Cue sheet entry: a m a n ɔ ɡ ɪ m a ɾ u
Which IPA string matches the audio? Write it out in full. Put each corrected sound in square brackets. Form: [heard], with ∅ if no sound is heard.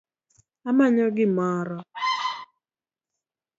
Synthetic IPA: a m a [ɲ] ɔ ɡ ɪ m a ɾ [ɔ]